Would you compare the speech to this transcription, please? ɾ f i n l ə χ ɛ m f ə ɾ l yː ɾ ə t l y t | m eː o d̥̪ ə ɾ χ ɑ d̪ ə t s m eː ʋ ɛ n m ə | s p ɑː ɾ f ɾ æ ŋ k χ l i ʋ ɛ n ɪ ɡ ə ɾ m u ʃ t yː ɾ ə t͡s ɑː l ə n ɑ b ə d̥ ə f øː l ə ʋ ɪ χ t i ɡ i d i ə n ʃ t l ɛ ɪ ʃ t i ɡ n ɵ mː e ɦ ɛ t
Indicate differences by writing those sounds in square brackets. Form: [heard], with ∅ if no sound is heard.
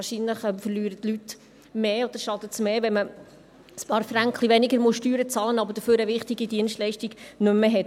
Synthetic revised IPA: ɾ [ʃ] i n l ə χ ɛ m f ə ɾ l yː ɾ ə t l y t | m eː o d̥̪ ə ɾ [ʃ] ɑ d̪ ə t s m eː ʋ ɛ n m ə | s p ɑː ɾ f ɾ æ ŋ k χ l i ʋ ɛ n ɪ ɡ ə ɾ m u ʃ t yː ɾ ə t͡s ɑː l ə n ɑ b ə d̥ ə f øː [ɾ] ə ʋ ɪ χ t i ɡ i d i ə n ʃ t l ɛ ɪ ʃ t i ɡ n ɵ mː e ɦ ɛ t